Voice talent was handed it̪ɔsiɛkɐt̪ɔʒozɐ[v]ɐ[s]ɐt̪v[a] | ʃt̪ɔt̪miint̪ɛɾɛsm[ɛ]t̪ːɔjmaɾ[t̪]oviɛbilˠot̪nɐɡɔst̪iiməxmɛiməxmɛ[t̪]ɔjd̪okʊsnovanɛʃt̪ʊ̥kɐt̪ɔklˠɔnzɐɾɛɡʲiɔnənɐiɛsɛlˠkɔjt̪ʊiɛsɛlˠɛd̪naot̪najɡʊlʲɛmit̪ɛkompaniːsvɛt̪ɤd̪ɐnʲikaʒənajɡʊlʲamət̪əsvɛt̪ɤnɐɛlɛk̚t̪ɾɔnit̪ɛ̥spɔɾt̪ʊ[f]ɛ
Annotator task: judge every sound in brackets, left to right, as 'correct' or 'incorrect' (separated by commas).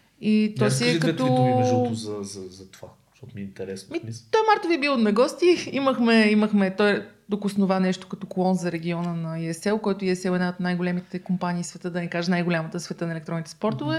incorrect, incorrect, correct, incorrect, correct, correct, incorrect